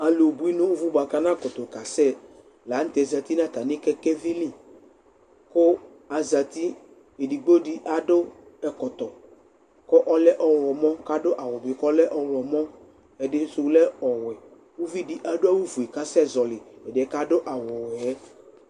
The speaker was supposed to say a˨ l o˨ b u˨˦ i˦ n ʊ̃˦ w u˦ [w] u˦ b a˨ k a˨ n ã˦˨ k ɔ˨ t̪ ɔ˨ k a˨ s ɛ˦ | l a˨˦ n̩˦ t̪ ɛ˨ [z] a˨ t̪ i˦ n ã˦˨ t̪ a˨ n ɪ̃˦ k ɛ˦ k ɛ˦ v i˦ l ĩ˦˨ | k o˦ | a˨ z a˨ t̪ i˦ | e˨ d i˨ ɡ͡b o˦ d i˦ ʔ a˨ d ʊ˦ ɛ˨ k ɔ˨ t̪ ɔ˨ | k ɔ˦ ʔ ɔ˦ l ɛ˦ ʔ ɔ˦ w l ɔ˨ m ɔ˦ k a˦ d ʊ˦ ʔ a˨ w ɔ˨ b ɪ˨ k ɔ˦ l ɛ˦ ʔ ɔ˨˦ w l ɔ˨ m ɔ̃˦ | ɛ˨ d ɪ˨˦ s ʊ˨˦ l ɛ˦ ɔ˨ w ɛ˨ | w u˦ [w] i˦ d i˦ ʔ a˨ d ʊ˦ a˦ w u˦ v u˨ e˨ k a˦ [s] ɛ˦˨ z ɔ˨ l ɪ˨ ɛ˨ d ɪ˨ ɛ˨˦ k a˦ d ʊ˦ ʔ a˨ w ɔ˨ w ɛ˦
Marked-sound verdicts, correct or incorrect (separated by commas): incorrect, correct, incorrect, correct